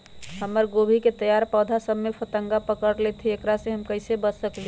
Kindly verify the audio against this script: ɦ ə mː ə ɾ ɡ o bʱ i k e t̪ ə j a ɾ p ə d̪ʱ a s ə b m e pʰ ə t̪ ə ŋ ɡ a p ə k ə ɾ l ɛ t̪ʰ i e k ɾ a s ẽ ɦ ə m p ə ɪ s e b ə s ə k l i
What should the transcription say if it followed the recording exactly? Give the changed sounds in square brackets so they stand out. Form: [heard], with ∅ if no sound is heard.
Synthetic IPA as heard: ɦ ə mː ə ɾ ɡ o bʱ i k e t̪ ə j a ɾ p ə d̪ʱ a s ə b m e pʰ ə t̪ ə ŋ ɡ a p ə k ə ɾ l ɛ t̪ʰ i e k ɾ a s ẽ ɦ ə m [k] ə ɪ s e b ə s ə k l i